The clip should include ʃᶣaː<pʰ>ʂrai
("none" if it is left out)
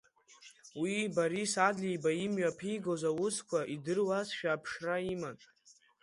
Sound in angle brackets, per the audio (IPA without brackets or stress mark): pʰ